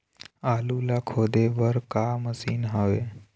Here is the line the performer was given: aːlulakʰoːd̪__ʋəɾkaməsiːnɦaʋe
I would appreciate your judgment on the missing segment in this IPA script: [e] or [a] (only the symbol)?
e